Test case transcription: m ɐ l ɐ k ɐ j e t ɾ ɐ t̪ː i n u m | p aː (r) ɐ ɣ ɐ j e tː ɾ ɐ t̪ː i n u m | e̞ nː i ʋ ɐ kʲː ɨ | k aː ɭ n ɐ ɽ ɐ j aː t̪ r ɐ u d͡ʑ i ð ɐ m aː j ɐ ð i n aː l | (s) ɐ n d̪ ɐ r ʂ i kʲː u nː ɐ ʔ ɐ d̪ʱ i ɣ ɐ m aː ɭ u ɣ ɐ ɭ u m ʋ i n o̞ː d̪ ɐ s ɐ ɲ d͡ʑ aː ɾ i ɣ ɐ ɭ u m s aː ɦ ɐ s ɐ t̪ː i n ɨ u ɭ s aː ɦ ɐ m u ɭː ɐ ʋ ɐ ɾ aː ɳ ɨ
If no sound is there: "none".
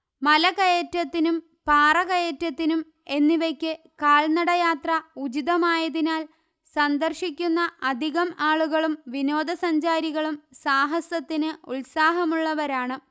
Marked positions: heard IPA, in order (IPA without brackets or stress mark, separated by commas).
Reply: r, s